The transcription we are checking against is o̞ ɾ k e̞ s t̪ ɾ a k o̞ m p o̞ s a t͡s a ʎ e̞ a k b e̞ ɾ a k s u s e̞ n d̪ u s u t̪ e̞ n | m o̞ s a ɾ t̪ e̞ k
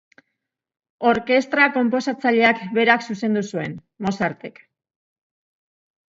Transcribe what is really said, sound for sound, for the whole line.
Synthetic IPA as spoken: o̞ ɾ k e̞ s t̪ ɾ a k o̞ m p o̞ s a t͡s a ʎ e̞ a k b e̞ ɾ a k s u s e̞ n d̪ u s u e̞ n | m o̞ s a ɾ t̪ e̞ k